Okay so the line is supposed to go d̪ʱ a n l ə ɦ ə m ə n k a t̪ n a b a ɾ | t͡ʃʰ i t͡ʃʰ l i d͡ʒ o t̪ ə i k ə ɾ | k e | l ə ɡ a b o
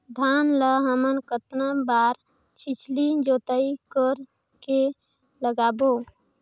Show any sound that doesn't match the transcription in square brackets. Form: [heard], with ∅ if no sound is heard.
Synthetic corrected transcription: d̪ʱ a n l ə ɦ ə m ə n k [ə] t̪ n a b a ɾ | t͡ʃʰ i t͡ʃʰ l i d͡ʒ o t̪ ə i k ə ɾ | k e | l ə ɡ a b o